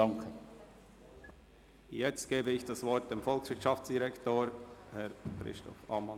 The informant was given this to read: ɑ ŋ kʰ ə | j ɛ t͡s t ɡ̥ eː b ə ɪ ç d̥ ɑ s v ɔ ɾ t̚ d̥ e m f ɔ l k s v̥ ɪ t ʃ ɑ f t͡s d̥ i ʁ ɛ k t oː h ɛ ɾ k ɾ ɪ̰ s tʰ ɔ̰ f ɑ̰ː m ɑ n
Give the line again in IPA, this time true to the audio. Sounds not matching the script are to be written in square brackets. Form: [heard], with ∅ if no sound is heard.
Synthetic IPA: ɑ ŋ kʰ ə | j ɛ t͡s t ɡ̥ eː b ə ɪ ç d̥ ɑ s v ɔ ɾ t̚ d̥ e m f ɔ l k s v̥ ɪ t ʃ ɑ f t͡s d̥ i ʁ ɛ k t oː h ɛ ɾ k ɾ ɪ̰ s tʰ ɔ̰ f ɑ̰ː m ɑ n